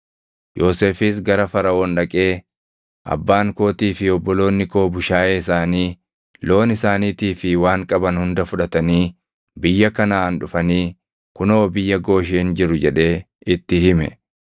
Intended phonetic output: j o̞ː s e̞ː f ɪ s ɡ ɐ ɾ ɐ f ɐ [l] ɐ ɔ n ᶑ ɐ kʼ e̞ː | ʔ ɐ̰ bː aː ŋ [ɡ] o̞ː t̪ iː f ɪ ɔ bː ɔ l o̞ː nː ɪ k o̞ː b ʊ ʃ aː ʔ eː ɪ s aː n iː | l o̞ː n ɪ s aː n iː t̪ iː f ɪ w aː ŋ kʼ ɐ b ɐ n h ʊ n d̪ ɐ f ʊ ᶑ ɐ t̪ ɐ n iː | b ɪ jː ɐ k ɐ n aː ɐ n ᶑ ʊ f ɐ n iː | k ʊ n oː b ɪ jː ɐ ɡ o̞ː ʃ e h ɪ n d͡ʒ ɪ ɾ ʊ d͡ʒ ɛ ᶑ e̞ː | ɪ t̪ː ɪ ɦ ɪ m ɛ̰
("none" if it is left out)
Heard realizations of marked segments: ɾ, k

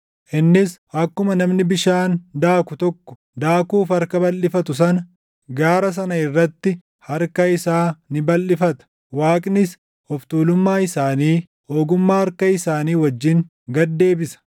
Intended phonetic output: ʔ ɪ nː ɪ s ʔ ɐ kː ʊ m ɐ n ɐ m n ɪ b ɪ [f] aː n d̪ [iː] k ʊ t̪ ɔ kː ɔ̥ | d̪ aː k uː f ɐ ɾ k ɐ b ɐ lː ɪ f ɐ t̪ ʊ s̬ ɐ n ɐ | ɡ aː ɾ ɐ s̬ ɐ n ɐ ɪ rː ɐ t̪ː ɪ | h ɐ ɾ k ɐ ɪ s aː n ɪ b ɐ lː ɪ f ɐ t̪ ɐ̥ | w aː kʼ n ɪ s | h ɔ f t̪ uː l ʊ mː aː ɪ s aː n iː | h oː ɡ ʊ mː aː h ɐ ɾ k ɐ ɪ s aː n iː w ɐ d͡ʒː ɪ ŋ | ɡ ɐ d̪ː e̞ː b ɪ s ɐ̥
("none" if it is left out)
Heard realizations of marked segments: ʃ, aː

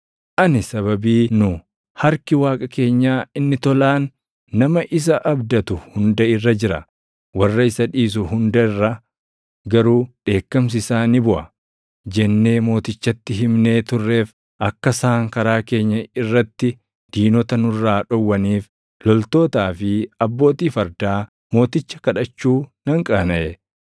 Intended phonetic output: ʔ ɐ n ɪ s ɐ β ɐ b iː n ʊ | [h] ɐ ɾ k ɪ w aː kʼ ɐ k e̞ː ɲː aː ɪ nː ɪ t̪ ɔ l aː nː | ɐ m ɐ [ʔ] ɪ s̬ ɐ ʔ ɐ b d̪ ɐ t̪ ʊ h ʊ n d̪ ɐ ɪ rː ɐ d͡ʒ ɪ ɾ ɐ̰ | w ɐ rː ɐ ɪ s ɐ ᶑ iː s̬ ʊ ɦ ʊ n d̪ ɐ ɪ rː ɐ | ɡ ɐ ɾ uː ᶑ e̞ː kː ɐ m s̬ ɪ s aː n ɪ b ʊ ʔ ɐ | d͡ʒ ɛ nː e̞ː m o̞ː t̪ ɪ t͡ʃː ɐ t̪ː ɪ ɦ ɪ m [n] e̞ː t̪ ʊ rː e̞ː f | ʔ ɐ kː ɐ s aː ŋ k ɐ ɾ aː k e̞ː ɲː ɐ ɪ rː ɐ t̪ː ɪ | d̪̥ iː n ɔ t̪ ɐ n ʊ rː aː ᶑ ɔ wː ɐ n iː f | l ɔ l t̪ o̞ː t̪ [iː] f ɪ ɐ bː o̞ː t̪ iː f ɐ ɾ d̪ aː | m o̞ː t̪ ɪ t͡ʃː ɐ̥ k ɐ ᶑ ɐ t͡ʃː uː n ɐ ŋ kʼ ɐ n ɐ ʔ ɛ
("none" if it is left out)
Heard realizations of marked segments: h, ʔ, n, aː

